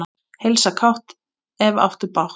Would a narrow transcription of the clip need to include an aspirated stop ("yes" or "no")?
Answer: yes